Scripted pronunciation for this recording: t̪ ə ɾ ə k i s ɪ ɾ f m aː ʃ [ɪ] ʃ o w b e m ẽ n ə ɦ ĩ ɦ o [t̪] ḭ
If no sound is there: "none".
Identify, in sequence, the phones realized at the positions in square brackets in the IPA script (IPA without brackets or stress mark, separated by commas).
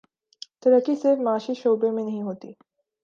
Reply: i, t̪